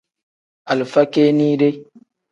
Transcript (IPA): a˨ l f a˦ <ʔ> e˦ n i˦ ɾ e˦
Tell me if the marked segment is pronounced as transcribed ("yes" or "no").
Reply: no